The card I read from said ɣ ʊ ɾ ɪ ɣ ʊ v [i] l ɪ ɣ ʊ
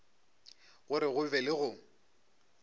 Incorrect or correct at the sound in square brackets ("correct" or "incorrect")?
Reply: incorrect